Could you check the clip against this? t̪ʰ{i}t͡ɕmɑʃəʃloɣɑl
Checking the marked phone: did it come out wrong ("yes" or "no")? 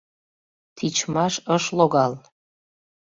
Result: no